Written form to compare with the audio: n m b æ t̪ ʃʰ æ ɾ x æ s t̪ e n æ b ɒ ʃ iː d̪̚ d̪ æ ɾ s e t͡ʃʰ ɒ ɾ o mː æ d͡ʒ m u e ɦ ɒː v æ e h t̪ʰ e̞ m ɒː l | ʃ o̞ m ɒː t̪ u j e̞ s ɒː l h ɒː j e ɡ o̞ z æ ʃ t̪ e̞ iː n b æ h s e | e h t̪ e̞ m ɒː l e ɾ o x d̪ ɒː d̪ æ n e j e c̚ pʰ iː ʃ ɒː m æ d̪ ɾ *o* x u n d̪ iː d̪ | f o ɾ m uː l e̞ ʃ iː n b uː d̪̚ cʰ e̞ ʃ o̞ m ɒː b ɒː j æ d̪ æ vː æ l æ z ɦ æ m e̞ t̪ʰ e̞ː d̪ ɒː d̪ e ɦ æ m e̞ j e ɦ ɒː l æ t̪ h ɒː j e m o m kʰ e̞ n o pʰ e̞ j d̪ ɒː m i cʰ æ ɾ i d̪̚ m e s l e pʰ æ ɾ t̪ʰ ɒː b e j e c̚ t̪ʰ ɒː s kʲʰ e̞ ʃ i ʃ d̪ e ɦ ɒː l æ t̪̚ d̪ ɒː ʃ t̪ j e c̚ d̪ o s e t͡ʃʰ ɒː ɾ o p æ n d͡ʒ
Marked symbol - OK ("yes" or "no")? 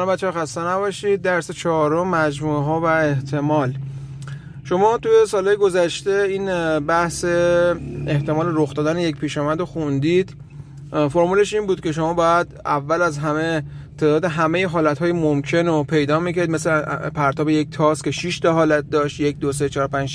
yes